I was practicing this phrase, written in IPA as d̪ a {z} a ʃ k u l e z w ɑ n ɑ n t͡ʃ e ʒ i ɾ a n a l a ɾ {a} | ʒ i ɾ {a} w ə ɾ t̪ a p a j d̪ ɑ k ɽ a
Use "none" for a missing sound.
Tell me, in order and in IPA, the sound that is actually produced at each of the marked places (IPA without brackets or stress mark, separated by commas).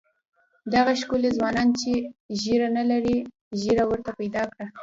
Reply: ɣ, i, a